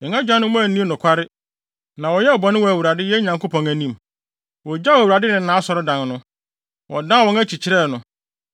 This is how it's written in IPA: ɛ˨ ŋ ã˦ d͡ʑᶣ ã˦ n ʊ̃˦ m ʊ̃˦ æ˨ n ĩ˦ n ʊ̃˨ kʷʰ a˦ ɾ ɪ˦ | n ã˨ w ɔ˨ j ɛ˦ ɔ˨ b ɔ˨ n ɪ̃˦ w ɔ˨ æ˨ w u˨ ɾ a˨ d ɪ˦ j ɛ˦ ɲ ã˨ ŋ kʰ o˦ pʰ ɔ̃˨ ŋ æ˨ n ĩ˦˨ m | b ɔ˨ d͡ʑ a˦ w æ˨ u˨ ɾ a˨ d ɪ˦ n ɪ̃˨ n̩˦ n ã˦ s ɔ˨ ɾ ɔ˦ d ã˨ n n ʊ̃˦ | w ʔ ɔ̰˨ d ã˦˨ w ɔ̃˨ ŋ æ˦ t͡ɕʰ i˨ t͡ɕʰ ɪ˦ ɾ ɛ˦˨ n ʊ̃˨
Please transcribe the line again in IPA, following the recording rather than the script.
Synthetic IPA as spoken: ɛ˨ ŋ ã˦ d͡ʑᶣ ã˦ n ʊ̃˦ m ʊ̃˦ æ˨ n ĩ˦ n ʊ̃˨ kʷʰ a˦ ɾ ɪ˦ | n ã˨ w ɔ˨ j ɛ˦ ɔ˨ b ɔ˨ n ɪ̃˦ w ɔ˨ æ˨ w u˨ ɾ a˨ d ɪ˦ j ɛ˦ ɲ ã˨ ŋ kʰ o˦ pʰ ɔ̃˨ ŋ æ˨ n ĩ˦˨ m | w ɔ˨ d͡ʑ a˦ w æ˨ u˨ ɾ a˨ d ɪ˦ n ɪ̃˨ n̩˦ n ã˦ s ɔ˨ ɾ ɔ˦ d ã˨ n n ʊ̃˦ | w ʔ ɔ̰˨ d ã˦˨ w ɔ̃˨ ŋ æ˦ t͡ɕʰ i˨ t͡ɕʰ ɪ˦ ɾ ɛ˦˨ n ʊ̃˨